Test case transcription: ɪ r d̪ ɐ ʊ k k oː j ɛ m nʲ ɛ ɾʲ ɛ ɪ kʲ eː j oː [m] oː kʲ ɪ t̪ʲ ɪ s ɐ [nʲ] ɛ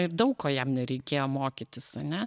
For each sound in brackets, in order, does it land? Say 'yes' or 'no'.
yes, yes

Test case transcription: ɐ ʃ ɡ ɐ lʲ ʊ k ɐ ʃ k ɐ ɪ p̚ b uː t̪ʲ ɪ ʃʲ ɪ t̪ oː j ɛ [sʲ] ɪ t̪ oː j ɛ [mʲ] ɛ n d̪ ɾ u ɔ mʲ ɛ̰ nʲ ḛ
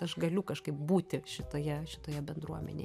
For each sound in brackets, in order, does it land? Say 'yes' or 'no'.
no, no

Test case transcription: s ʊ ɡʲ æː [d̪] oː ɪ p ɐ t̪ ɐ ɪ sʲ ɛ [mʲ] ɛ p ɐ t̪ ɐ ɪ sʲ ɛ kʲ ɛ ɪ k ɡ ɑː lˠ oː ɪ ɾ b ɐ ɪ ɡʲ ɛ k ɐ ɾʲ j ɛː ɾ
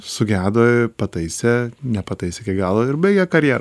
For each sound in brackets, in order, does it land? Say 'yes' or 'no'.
yes, no

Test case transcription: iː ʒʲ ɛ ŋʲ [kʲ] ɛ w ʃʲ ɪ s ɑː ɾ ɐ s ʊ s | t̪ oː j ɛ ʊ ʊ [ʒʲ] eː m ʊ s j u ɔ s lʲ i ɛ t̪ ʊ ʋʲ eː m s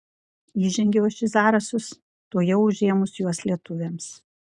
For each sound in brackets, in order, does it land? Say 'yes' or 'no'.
no, yes

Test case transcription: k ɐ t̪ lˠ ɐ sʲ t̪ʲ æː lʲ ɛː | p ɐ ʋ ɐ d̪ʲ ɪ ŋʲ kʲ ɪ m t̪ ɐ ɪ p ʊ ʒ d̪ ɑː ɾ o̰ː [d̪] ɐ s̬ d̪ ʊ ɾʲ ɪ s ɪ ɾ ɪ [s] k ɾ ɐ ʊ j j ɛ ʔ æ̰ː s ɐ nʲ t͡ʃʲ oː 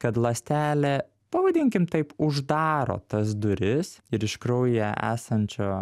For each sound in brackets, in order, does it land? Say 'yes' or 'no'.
no, no

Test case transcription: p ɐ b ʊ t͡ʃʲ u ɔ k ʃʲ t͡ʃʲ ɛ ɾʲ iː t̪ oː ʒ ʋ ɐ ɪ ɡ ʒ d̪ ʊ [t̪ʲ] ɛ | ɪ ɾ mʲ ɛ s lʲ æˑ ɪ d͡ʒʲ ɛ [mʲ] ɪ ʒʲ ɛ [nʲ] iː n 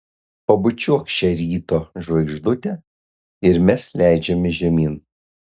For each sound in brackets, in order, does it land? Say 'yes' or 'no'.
yes, yes, no

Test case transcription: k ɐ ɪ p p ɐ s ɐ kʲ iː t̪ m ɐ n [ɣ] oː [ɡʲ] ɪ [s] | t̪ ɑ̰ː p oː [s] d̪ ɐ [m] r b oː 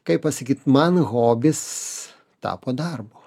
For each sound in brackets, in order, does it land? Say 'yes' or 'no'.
yes, no, yes, no, no

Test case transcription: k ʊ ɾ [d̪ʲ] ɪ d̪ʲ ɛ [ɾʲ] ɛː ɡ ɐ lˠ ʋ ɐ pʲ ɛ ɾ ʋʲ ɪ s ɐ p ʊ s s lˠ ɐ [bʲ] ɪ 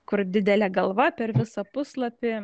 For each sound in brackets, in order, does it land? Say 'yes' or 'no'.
yes, no, no

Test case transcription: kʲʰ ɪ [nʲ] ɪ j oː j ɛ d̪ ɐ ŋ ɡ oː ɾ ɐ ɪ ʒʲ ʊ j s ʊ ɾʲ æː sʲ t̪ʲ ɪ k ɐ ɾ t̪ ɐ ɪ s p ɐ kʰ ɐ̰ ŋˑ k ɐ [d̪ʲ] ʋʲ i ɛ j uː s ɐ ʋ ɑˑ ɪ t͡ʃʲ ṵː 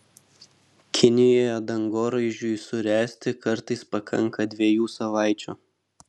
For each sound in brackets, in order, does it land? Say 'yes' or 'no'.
yes, yes

